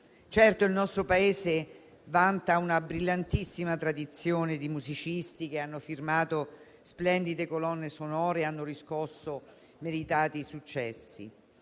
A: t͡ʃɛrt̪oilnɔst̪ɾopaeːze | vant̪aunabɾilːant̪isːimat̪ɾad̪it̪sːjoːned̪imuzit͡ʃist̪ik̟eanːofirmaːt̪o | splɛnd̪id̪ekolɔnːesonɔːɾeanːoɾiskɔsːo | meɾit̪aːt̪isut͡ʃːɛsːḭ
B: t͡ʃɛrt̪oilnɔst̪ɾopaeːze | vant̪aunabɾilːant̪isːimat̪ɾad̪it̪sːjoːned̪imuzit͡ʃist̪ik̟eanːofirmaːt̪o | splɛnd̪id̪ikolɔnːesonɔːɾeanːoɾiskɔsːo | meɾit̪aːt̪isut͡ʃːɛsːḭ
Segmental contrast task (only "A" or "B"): A